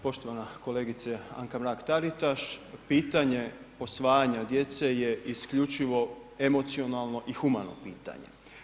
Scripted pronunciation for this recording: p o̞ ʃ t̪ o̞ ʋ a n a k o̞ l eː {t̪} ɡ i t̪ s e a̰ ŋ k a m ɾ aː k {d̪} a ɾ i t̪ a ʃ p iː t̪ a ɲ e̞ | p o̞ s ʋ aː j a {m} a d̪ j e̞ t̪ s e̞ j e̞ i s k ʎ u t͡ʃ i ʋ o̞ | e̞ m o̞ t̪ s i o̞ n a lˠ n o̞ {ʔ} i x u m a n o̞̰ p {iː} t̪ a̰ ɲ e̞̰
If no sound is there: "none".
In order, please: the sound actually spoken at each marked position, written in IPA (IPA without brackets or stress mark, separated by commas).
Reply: none, t̪, ɲ, ʔ, iː